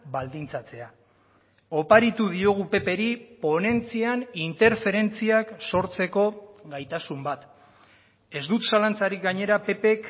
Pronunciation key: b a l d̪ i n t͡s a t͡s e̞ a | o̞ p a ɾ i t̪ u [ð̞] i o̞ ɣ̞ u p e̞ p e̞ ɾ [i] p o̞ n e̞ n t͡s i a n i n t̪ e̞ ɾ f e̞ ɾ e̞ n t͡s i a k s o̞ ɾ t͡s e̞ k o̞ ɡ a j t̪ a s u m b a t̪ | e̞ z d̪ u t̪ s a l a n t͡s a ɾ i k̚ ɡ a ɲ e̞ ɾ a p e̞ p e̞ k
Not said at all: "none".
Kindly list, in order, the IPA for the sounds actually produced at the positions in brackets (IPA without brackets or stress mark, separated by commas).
ð̞, i